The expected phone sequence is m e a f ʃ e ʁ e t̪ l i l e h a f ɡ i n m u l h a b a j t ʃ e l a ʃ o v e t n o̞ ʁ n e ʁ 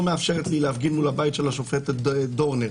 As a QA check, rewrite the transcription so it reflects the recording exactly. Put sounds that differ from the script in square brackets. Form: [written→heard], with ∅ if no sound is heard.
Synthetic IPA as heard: m e a f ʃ e ʁ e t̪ l i l e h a f ɡ i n m u l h a b a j t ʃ e l a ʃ o [v→f] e t [n→d] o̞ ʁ n e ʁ